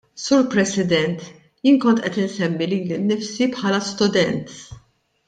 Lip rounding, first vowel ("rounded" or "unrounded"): rounded